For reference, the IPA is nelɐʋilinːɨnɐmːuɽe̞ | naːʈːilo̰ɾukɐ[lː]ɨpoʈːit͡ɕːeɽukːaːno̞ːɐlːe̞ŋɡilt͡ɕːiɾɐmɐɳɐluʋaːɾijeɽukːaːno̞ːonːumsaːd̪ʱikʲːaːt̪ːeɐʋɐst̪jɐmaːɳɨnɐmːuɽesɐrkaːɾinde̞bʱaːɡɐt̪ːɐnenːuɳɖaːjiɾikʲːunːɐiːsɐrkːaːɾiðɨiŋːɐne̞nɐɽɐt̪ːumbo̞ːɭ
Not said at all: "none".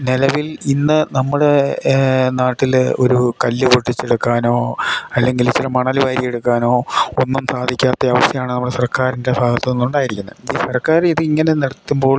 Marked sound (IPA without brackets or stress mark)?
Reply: lː